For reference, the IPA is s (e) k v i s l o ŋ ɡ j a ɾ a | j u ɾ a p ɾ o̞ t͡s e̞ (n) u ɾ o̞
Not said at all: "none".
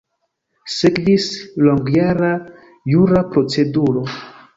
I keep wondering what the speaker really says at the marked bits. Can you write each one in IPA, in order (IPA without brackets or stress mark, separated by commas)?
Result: e, d